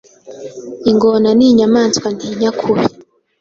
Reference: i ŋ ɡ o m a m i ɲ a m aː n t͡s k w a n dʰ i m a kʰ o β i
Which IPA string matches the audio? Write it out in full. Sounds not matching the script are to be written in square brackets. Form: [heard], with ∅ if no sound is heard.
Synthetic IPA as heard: i ŋ ɡ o [n] a [n] i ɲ a m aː n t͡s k w a n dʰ i [ɲ] a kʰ [u] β i